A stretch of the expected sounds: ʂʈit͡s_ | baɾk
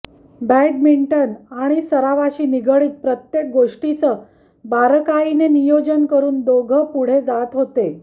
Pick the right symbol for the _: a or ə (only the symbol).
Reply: ə